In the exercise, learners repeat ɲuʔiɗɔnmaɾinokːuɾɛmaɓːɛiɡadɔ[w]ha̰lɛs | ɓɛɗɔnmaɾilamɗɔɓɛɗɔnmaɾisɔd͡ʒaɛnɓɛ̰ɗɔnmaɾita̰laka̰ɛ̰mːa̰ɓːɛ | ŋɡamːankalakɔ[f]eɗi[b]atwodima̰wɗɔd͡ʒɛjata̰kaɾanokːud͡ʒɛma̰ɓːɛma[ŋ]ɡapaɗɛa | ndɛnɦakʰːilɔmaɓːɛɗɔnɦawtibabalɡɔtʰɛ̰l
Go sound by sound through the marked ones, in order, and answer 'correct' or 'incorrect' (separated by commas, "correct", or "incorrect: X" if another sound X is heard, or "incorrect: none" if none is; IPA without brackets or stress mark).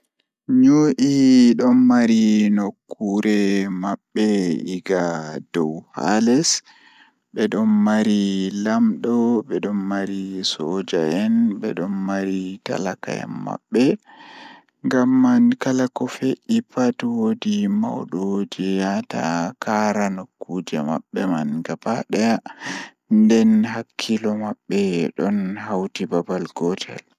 correct, correct, incorrect: p, incorrect: n